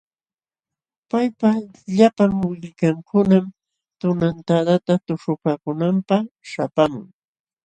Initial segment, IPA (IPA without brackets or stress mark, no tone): p